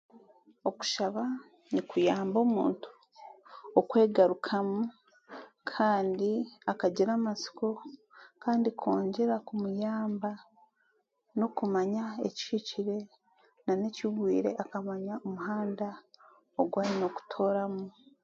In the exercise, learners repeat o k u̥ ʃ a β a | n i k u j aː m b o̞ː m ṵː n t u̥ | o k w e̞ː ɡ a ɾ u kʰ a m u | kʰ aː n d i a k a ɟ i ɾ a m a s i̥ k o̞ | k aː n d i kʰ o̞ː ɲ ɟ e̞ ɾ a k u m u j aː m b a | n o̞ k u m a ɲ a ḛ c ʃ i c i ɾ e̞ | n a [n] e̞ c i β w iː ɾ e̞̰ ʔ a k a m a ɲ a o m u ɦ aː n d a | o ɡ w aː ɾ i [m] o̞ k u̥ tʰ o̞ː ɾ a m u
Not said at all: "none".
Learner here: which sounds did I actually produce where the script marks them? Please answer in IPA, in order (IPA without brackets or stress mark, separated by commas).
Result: n, n